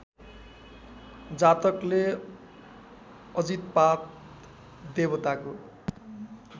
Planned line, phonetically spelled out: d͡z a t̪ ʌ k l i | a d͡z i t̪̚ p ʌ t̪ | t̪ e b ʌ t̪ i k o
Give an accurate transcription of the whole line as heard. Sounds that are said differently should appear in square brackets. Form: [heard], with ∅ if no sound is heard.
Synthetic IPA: d͡z a t̪ ʌ k l [e] | [ʌ] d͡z i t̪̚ p [a] t̪ | [d̪] e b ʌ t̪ [a] k o